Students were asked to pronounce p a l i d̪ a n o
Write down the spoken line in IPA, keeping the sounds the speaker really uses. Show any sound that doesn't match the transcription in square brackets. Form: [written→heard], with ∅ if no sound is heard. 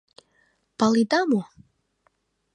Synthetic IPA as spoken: p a l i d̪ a [n→m] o